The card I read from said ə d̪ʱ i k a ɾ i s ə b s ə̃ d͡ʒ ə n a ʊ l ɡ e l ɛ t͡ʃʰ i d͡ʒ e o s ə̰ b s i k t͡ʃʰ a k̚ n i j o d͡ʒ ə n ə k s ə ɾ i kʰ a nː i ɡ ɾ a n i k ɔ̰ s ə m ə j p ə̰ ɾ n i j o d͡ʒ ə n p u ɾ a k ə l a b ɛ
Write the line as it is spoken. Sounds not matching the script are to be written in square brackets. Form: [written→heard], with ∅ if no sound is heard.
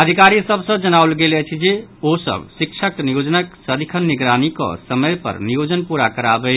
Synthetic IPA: ə d̪ʱ i k a ɾ i s ə b s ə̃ d͡ʒ ə n a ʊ l ɡ e l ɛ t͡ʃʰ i d͡ʒ e o s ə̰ b s i k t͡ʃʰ [a→ə] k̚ n i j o d͡ʒ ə n ə k s ə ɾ i kʰ [a→ə] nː i ɡ ɾ a n i k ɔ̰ s ə m ə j p ə̰ ɾ n i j o d͡ʒ ə n p u ɾ a k ə [l→ɾ] a b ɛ